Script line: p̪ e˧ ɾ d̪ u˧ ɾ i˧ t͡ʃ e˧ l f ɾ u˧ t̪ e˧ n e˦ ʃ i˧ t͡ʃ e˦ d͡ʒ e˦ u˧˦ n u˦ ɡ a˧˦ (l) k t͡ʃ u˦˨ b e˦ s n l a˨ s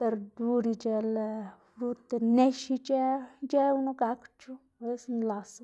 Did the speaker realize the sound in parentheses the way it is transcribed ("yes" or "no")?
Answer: no